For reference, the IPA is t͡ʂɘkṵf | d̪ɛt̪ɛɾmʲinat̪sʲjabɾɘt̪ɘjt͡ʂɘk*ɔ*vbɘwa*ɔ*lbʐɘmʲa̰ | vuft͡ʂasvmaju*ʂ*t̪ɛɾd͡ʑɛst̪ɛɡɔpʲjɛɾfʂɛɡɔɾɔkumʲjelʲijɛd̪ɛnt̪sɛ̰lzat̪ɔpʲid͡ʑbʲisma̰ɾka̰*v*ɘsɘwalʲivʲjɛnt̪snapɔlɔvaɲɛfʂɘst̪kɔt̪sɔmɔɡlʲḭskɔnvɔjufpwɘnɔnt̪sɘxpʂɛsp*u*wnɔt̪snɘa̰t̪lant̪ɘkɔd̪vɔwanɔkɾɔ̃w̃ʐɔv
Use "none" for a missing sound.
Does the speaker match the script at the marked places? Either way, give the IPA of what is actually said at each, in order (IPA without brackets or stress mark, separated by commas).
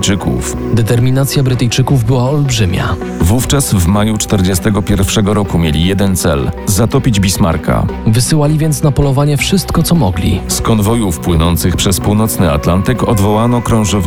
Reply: u, ɔ, t͡ʂ, v, u